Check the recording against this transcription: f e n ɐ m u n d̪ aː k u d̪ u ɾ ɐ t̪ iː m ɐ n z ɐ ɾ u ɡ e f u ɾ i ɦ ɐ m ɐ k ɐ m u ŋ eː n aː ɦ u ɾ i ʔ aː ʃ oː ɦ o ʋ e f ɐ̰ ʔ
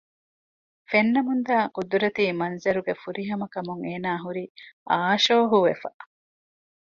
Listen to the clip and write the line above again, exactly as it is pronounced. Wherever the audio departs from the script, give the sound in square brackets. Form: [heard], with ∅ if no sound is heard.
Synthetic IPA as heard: f e [nː] ɐ m u n d̪ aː k u d̪ u ɾ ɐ t̪ iː m ɐ n z ɐ ɾ u ɡ e f u ɾ i ɦ ɐ m ɐ k ɐ m u ŋ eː n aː ɦ u ɾ i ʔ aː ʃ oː ɦ [u] ʋ e f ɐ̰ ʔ